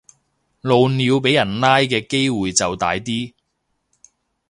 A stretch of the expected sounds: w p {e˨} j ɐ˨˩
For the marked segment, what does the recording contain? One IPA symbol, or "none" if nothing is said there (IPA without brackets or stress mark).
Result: e˨˥